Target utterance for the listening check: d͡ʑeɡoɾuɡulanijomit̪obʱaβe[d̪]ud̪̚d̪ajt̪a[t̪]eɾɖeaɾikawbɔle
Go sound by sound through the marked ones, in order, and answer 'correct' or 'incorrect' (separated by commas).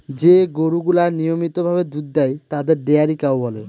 correct, incorrect